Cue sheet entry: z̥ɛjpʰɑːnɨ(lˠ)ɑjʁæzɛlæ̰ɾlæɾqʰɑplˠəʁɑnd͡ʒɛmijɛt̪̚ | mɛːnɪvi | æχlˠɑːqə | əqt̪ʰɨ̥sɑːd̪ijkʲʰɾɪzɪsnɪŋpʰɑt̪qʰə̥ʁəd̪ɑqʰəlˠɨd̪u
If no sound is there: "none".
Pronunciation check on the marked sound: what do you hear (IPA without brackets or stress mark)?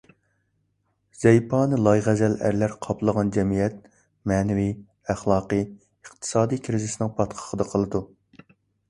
lˠ